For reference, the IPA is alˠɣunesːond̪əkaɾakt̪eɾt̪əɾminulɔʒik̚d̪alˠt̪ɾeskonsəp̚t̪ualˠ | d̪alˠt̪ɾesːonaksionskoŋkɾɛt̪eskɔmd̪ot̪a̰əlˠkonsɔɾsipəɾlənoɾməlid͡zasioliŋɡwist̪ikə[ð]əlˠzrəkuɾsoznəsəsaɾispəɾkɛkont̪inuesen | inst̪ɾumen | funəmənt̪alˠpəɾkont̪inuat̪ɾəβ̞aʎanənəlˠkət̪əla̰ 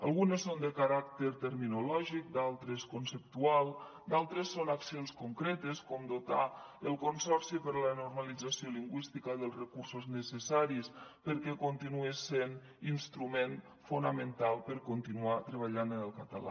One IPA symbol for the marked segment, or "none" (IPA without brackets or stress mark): ð